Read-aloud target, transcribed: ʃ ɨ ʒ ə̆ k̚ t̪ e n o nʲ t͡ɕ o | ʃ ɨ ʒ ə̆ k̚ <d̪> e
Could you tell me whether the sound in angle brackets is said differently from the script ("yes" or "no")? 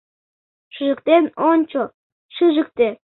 yes